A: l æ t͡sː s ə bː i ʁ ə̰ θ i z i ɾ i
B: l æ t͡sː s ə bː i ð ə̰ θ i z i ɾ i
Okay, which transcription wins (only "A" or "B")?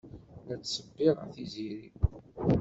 A